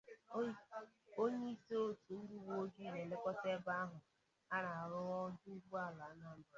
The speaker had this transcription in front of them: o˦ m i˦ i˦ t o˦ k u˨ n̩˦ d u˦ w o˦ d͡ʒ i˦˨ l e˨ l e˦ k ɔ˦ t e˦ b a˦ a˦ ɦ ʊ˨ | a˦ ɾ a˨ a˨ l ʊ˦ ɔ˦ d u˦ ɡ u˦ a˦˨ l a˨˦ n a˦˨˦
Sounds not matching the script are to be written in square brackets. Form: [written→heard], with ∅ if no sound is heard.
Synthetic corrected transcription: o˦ [m→ɲ] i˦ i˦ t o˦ [k→t] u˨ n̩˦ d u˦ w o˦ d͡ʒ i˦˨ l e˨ l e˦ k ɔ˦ t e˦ b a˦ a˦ ɦ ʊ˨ | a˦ ɾ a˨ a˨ [l→ɾ] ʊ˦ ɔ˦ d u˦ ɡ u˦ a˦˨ l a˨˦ n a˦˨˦